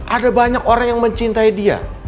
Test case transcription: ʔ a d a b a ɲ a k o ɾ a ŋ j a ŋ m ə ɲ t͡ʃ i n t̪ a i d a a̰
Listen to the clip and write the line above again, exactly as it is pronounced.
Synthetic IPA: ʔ a d a b a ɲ a k o ɾ a ŋ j a ŋ m ə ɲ t͡ʃ i n t̪ a i d i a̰